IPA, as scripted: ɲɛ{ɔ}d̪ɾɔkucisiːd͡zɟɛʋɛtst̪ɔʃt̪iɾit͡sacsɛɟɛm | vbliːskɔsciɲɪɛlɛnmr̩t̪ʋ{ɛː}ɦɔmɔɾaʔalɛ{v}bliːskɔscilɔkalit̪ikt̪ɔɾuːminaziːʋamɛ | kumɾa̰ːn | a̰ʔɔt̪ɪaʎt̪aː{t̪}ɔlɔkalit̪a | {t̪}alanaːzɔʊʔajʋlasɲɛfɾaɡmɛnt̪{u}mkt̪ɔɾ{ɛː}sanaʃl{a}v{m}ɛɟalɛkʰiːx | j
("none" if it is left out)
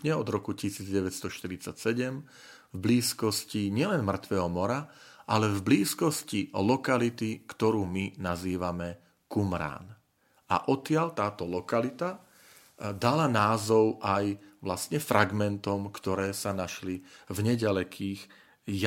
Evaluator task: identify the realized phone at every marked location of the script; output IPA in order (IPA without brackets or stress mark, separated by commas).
ɔ, ɛː, v, t̪, d̪, ɔ, ɛː, i, ɲ